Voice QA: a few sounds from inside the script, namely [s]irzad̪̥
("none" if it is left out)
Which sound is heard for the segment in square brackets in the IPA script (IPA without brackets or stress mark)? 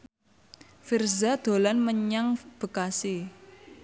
f